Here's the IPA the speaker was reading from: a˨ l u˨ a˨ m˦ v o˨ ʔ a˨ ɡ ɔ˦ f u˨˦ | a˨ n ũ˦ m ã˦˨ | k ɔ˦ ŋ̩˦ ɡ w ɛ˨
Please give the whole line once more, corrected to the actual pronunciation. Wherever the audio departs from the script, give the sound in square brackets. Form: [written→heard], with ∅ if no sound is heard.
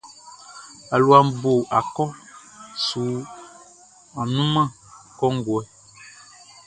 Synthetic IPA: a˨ l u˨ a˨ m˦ [v→b] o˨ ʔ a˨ [ɡ→k] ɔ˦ [f→s] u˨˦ | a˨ n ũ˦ m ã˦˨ | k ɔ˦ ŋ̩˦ ɡ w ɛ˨